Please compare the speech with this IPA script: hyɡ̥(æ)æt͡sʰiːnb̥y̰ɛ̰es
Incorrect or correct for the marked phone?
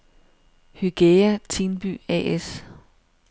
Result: incorrect: e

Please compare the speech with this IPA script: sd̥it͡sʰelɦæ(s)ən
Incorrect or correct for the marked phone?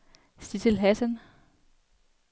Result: correct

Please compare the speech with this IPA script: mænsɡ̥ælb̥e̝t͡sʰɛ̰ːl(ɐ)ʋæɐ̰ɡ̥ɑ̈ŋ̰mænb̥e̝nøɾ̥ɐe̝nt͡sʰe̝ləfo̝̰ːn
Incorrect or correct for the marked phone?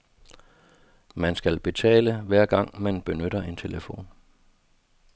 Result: incorrect: ə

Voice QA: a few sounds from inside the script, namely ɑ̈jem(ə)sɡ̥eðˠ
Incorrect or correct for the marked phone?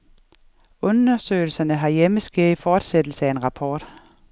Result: correct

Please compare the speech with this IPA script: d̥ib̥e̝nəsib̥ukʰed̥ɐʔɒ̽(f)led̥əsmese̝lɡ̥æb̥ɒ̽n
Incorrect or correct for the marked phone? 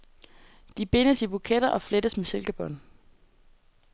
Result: correct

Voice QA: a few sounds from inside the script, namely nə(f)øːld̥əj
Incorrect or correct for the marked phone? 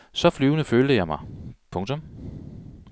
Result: correct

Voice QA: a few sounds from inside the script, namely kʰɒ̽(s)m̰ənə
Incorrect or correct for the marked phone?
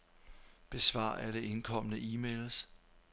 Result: incorrect: none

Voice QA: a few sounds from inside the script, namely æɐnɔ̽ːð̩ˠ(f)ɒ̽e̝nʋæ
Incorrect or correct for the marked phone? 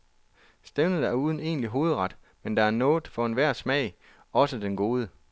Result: correct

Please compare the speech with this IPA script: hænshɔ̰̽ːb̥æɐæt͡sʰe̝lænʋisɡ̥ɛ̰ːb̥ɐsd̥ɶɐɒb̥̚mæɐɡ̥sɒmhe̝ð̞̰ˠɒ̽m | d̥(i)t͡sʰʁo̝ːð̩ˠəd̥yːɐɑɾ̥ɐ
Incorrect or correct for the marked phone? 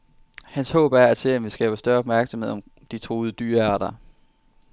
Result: correct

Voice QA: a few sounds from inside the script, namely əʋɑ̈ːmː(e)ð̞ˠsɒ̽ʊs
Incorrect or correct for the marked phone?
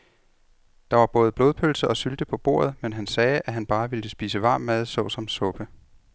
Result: incorrect: æ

